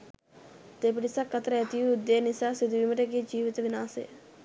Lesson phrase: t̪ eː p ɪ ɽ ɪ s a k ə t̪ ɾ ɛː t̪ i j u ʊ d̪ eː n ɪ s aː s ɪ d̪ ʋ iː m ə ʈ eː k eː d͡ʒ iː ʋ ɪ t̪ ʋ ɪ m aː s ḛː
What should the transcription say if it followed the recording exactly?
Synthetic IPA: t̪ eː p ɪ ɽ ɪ s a k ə t̪ ɾ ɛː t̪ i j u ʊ d̪ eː n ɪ s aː s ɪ d̪ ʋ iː m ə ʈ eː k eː d͡ʒ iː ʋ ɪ t̪ ʋ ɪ n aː s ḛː